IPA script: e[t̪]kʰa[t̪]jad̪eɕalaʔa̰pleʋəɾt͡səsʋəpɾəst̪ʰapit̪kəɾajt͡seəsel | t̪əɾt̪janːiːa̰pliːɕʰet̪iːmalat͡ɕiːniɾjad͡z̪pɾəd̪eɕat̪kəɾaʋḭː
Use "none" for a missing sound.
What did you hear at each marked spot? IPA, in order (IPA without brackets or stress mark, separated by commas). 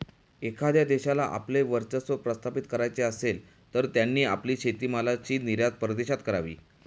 none, d̪